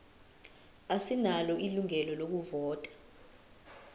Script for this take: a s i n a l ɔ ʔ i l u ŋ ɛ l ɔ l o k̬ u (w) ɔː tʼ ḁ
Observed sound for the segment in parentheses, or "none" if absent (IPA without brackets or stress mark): v